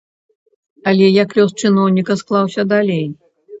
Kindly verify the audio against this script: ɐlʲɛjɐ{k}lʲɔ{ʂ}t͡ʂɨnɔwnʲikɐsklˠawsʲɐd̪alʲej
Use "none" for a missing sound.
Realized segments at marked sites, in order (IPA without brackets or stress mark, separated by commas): k, s